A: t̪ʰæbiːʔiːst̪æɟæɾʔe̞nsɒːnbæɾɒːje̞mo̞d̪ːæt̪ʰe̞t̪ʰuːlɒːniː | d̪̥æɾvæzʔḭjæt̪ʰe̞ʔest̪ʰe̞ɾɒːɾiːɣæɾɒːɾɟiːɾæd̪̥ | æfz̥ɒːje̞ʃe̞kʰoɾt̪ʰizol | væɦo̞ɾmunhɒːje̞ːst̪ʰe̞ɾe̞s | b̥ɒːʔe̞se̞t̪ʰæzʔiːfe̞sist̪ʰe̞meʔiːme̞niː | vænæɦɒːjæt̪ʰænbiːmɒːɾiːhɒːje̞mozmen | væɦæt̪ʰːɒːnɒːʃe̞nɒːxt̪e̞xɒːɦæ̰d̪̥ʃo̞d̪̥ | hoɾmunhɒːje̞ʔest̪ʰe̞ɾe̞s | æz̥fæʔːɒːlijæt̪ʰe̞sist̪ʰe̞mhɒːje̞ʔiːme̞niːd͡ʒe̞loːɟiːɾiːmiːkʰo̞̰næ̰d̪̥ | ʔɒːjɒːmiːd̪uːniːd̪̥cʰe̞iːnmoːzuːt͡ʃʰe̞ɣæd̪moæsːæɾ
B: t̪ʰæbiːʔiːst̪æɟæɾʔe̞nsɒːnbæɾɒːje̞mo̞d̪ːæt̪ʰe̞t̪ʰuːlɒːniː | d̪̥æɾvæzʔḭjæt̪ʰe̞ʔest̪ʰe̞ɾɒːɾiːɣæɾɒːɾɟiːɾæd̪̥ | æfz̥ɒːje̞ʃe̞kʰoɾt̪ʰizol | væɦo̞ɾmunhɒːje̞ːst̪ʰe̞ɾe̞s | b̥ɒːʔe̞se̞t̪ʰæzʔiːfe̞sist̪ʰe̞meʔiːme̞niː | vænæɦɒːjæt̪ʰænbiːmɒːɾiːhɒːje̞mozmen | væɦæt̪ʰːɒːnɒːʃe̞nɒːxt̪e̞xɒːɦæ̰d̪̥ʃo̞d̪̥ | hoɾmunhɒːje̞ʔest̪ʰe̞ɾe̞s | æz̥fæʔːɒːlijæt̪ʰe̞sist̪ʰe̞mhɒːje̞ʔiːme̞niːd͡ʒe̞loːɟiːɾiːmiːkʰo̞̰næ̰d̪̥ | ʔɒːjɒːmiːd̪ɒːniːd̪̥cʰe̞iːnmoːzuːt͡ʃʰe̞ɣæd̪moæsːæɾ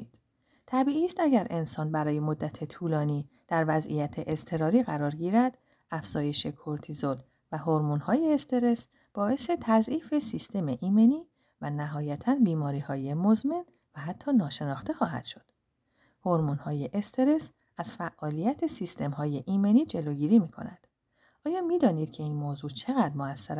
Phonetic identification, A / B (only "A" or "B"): B